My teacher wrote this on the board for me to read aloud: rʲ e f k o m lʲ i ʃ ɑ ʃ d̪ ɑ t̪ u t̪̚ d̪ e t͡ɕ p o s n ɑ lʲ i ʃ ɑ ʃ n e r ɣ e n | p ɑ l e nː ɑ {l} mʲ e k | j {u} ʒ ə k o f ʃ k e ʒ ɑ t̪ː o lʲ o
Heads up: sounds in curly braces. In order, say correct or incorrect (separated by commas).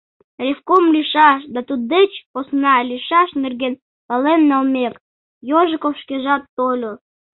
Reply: correct, incorrect